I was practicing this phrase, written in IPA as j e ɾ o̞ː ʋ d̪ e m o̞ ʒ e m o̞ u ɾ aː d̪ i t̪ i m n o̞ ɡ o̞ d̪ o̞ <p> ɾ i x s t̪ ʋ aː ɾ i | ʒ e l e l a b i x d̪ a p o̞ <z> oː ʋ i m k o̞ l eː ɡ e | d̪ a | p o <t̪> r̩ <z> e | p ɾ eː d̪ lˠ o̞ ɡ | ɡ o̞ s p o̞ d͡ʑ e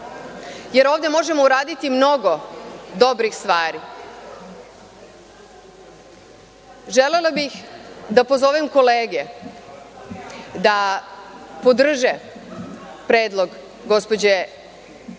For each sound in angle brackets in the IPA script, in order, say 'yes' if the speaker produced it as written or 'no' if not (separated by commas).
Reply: no, yes, no, no